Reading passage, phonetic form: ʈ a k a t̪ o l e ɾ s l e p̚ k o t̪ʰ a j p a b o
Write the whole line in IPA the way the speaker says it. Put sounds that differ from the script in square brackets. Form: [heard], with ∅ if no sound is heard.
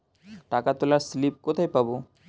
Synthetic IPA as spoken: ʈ a k a t̪ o l [a] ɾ s l [i] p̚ k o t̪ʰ a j p a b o